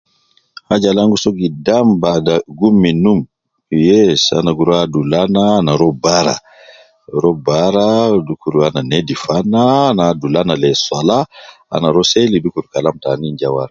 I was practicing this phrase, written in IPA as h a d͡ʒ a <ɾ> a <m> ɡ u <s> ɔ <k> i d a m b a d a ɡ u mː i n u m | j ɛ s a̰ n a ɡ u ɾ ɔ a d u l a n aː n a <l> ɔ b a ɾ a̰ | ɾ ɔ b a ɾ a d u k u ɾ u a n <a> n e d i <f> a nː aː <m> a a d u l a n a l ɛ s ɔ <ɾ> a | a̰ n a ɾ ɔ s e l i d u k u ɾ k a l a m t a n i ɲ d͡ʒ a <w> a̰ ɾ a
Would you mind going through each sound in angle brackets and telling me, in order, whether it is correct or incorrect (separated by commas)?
incorrect, incorrect, correct, incorrect, incorrect, correct, correct, incorrect, incorrect, correct